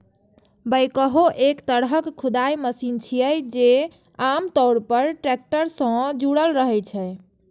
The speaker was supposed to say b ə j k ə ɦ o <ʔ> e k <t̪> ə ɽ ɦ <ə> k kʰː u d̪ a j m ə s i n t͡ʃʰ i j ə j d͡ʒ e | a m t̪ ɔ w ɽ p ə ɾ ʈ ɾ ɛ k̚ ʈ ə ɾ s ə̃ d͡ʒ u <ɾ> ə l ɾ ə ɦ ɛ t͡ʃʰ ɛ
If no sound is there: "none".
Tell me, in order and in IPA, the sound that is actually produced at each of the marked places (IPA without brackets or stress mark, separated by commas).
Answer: ʔ, t̪, ə, ɽ